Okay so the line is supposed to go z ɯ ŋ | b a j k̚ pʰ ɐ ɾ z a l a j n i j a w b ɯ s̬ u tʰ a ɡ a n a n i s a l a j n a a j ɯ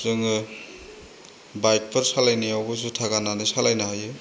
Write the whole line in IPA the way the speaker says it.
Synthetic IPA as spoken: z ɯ ŋ | b a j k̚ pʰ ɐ ɾ s a l a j n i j a w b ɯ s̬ u tʰ a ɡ a n a n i s a l a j n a a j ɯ